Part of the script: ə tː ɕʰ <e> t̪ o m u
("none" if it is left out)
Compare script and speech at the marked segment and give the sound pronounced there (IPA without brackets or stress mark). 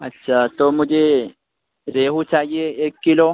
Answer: a